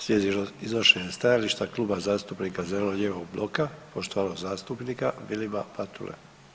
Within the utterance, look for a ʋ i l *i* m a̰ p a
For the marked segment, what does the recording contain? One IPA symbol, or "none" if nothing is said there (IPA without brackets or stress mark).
i